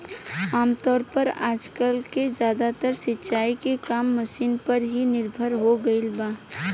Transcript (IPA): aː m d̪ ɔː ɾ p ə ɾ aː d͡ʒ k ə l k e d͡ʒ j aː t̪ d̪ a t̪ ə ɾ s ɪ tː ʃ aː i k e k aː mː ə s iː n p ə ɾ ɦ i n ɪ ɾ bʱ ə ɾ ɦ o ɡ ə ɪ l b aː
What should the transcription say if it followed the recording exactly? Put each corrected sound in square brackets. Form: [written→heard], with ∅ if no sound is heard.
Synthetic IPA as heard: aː m [d̪→t̪] ɔː ɾ p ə ɾ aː d͡ʒ k ə l k e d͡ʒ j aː [t̪→∅] d̪ a t̪ ə ɾ s ɪ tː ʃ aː i k e k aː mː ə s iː n p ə ɾ ɦ i n ɪ ɾ bʱ ə ɾ ɦ o ɡ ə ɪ l b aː